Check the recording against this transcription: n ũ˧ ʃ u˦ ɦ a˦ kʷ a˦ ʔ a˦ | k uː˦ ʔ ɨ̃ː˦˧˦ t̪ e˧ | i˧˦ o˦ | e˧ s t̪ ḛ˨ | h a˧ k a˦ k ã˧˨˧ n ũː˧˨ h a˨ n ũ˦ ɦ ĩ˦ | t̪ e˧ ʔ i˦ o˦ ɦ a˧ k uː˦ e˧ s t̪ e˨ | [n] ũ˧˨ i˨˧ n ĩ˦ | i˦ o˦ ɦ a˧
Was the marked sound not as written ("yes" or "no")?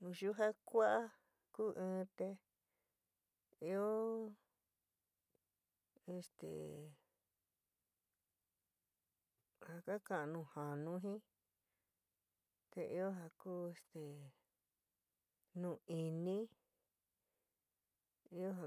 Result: no